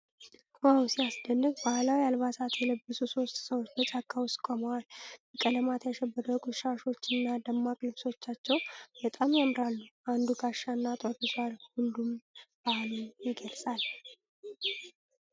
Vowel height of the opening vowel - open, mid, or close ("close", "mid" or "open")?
open